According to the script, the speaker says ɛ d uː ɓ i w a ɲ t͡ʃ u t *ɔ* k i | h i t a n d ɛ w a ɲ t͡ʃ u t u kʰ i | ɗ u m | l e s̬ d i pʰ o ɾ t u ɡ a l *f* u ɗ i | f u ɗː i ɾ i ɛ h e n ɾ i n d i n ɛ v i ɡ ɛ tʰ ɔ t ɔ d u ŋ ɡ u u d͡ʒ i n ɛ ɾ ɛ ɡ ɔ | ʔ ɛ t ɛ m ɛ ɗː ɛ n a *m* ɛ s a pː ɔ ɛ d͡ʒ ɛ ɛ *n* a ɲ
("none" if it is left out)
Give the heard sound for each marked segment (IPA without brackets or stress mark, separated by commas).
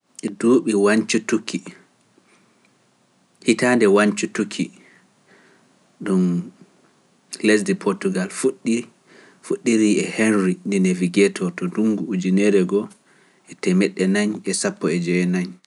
u, f, ɲ, n